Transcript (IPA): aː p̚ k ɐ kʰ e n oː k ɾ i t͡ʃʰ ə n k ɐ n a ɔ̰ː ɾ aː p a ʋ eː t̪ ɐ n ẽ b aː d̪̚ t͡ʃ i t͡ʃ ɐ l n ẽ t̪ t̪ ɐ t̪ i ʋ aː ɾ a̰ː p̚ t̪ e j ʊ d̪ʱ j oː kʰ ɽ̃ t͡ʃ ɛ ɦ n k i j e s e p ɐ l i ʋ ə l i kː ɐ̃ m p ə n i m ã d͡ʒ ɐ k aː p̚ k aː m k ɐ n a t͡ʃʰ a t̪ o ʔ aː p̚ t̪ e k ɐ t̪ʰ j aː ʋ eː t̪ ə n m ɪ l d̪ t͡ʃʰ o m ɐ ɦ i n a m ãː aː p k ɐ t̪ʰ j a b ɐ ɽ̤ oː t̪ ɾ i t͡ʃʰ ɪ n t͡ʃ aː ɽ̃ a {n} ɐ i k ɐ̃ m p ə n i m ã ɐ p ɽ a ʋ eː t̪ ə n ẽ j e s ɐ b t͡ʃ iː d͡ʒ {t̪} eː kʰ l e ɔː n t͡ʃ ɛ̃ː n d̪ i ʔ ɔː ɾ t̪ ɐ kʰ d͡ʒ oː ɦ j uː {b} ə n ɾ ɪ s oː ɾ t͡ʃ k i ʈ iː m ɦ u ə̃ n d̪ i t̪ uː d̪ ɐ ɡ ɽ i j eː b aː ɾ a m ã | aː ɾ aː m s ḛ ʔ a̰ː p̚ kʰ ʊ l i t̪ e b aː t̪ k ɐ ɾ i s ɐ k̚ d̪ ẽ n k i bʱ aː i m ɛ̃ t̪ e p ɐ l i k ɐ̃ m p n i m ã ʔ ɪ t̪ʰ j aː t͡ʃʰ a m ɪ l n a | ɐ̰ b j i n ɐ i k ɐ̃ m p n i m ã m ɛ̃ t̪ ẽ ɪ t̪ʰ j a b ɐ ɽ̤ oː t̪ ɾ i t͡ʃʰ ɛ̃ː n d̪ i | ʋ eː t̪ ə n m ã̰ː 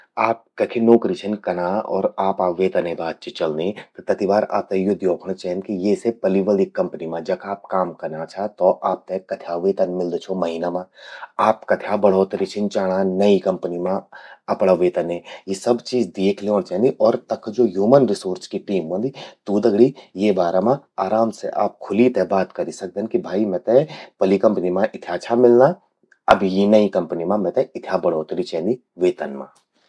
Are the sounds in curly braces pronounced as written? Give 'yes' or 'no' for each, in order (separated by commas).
yes, no, no